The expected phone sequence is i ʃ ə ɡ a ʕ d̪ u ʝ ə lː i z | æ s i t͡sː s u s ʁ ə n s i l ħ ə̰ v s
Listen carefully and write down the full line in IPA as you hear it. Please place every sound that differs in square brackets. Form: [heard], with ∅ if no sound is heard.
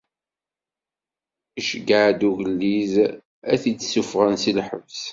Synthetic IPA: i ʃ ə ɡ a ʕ d̪ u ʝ ə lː i z | æ [θ] i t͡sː s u [f] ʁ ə n s i l ħ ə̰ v s

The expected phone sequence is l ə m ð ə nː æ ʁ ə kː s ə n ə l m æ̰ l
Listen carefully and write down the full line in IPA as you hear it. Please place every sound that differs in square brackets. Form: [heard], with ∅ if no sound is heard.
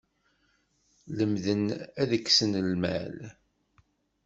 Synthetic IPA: l ə m ð ə [n] æ [ð] ə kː s ə n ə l m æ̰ l

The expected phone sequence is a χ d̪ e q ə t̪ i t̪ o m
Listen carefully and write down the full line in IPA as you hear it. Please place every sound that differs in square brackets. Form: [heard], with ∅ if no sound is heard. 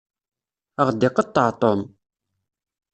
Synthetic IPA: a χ d̪ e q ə t̪ [a] t̪ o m

